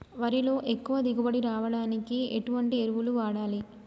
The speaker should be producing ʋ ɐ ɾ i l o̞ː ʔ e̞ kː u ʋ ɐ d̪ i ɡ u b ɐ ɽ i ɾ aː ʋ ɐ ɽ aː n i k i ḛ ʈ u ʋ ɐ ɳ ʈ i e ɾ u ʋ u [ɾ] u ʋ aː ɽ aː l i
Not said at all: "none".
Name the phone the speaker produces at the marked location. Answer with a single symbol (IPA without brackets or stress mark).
l